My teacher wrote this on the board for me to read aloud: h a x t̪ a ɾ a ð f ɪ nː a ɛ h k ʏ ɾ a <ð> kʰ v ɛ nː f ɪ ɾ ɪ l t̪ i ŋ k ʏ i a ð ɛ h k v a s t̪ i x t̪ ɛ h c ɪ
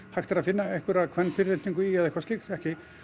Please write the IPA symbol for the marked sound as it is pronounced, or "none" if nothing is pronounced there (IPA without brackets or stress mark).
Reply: ð